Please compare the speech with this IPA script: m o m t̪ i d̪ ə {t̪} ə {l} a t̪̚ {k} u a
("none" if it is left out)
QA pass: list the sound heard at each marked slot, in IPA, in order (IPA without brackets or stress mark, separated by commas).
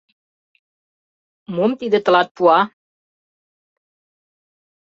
t̪, l, p